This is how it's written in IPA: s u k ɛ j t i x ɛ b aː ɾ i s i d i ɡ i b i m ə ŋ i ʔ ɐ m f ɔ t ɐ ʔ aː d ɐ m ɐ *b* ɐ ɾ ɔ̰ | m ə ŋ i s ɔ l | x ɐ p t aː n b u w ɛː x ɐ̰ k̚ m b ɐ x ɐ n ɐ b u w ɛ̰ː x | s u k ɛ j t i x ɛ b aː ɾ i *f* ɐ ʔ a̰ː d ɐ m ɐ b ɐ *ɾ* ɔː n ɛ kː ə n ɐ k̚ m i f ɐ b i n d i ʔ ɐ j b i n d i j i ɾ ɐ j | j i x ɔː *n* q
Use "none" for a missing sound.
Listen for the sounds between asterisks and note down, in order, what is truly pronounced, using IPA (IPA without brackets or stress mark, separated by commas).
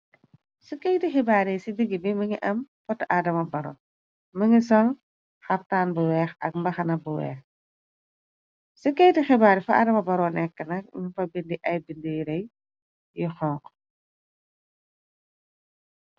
b, f, ɾ, ŋ